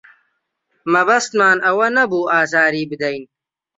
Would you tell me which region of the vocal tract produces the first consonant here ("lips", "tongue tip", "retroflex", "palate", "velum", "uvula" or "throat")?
lips